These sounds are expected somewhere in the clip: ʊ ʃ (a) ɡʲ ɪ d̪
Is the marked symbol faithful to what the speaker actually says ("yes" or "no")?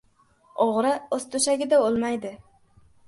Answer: yes